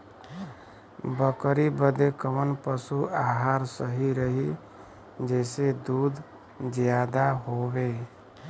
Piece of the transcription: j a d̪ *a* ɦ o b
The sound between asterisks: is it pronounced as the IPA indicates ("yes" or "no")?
yes